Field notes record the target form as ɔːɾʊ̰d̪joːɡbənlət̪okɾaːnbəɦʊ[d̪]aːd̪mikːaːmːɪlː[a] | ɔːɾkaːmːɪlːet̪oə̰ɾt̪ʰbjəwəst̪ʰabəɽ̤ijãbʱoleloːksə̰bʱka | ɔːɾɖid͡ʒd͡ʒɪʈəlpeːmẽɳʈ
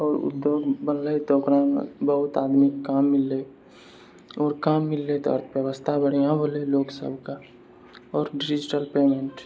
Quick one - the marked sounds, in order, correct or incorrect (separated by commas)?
incorrect, incorrect